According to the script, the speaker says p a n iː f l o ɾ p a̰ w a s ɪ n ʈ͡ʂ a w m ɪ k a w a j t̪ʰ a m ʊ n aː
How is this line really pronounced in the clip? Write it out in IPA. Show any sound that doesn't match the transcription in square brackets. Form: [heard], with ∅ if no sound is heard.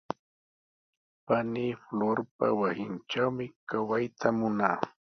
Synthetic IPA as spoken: p a n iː f l o ɾ p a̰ w a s ɪ n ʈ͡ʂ a w m ɪ k a w a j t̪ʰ a m ʊ n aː